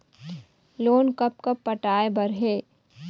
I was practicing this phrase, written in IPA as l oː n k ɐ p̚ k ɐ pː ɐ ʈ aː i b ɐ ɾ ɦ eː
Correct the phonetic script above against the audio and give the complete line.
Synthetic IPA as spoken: l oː n k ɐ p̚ k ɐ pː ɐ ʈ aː e b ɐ ɾ ɦ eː